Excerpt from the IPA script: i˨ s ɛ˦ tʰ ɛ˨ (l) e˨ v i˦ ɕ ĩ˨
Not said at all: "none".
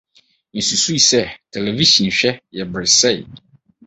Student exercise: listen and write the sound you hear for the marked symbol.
l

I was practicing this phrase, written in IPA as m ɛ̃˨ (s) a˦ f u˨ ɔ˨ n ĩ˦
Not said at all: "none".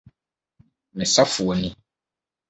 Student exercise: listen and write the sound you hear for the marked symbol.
s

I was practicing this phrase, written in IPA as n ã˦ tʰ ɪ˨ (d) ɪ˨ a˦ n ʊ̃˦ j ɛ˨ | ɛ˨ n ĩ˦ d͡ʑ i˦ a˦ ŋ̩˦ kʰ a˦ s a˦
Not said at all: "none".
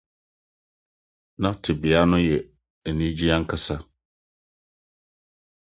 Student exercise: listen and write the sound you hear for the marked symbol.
b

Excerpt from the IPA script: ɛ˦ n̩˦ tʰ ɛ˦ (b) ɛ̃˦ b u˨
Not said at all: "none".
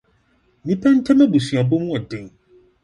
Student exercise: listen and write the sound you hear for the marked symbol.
m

